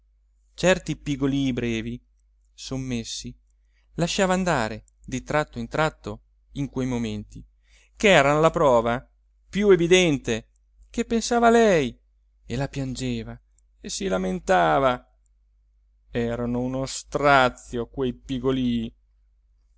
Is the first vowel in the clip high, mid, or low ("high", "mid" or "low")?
mid